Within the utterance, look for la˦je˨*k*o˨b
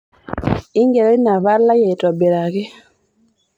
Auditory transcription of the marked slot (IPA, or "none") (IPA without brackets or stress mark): t